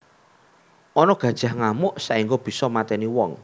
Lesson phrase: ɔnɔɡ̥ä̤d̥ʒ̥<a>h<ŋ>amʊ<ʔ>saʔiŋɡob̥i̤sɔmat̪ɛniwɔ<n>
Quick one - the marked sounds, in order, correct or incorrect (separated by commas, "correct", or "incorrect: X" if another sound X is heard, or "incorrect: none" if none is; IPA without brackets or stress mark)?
correct, correct, correct, incorrect: ŋ